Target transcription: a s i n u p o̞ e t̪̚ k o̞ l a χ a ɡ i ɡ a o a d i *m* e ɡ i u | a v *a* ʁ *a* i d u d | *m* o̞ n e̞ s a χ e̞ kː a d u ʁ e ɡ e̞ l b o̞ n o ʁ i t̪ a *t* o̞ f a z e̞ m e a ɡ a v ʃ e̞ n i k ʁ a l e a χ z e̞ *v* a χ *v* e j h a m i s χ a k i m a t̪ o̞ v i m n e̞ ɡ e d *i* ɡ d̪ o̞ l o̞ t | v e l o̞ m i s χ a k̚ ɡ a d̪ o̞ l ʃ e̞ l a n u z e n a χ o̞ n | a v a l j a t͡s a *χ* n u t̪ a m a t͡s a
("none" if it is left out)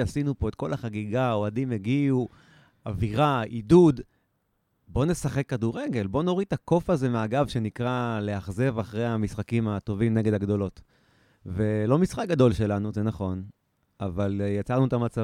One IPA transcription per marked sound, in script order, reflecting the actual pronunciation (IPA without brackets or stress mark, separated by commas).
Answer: m, i, a, b, k, v, ʁ, a, ʁ